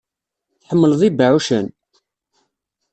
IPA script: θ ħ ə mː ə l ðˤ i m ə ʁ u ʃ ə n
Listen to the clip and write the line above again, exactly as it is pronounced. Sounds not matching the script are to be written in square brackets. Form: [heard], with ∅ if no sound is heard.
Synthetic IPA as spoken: θ ħ ə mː ə l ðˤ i [b] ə [ʕ] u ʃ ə n